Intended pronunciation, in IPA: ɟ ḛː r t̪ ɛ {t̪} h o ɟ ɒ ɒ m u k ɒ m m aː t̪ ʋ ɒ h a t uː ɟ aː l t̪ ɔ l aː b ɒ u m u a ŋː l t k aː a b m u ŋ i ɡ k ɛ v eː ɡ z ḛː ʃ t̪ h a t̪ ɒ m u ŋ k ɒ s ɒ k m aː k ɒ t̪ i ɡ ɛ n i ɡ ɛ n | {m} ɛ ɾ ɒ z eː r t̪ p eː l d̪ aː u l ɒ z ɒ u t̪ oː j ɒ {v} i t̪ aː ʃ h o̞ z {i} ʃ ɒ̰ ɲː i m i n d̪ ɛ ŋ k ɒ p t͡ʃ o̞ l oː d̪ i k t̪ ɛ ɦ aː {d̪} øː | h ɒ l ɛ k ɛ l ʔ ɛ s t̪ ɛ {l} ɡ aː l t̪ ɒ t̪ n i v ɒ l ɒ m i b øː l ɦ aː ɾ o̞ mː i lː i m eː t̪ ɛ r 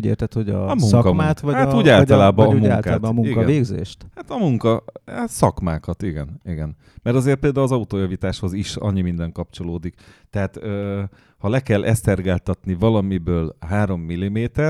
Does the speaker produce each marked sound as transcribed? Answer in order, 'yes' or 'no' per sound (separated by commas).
yes, yes, yes, yes, no, no